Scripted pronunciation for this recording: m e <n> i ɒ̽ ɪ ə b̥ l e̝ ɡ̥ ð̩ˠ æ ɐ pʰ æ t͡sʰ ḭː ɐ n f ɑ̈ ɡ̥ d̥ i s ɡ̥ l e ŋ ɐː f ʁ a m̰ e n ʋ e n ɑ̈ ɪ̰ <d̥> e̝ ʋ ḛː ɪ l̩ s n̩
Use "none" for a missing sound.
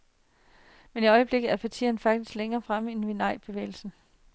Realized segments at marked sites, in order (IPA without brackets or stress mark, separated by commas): n, b̥